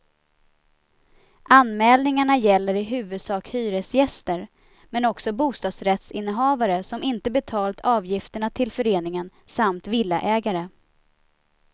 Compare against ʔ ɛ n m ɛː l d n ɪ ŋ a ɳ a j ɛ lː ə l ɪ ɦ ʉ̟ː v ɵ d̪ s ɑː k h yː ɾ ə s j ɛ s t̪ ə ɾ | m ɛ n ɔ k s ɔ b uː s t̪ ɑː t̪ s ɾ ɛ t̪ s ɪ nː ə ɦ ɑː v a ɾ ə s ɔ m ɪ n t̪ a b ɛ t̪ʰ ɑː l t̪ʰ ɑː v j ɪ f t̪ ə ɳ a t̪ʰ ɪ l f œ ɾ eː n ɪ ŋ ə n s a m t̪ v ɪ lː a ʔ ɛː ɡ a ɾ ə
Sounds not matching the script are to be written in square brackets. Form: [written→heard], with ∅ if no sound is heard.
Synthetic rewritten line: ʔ [ɛ→a] n m ɛː l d n ɪ ŋ a ɳ a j ɛ lː ə [l→ɾ] ɪ ɦ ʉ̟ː v ɵ d̪ s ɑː k h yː ɾ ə s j ɛ s t̪ ə ɾ | m ɛ n ɔ k s ɔ b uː s t̪ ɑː [t̪→d̪] s ɾ ɛ t̪ s ɪ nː ə ɦ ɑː v a ɾ ə s ɔ m ɪ n t̪ [a→ə] b ɛ t̪ʰ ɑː l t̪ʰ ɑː v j ɪ f t̪ ə ɳ a t̪ʰ ɪ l f œ ɾ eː n ɪ ŋ ə n s a m t̪ v ɪ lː a ʔ ɛː ɡ a ɾ ə

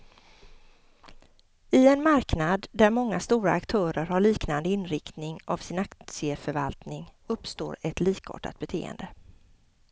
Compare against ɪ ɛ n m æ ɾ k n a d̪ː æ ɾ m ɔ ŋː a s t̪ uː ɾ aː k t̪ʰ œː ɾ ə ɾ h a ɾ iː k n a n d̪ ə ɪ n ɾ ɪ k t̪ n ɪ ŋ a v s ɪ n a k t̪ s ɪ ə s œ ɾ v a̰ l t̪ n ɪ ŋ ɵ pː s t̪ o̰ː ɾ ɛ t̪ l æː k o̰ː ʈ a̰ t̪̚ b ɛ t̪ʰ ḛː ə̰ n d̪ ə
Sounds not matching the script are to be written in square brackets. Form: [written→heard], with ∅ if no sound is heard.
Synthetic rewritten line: ɪ ɛ n m [æ→a] ɾ k n a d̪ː æ ɾ m ɔ ŋː a s t̪ uː ɾ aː k t̪ʰ œː ɾ ə ɾ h a [ɾ→ɭ] iː k n a n d̪ ə ɪ n ɾ ɪ k t̪ n ɪ ŋ a v s ɪ n a k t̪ s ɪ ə [s→f] œ ɾ v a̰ l t̪ n ɪ ŋ ɵ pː s t̪ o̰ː ɾ ɛ t̪ l [æː→iː] k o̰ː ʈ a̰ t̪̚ b ɛ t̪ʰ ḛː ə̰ n d̪ ə

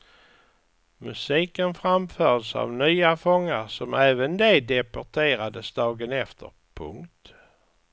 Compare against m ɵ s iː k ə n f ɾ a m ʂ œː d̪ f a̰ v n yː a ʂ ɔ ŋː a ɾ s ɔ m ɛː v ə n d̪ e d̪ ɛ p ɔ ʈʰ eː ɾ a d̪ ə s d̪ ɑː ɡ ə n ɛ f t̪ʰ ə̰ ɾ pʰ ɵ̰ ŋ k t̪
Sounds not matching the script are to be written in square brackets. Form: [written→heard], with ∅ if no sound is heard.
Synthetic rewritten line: m ɵ s iː k ə n f ɾ a m [ʂ→f] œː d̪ [f→s] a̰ v n yː a [ʂ→f] ɔ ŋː a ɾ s ɔ m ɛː v ə n d̪ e d̪ ɛ p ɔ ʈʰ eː ɾ a d̪ ə s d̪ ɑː ɡ ə n ɛ f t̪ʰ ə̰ ɾ pʰ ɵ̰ ŋ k t̪

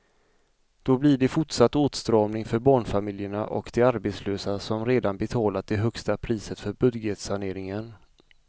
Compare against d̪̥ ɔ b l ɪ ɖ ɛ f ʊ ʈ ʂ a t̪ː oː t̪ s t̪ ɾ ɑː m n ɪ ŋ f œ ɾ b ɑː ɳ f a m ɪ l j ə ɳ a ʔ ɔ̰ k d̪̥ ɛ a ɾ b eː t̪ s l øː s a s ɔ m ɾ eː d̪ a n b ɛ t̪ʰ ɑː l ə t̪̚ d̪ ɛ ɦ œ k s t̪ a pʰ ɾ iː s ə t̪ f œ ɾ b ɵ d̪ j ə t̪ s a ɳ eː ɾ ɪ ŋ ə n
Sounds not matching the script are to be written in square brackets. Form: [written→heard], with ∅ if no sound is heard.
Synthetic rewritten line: d̪̥ ɔ b l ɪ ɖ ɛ f ʊ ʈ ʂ a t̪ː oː t̪ s t̪ ɾ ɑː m n ɪ ŋ f œ ɾ b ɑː ɳ f a m ɪ l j ə ɳ a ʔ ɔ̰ k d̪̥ ɛ a ɾ b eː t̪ s l øː s a s ɔ m ɾ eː d̪ a n b ɛ t̪ʰ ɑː l [ə→a] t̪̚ d̪ ɛ ɦ œ k s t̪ a pʰ ɾ iː s ə t̪ f œ ɾ b ɵ d̪ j ə t̪ s a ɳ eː ɾ ɪ ŋ ə n

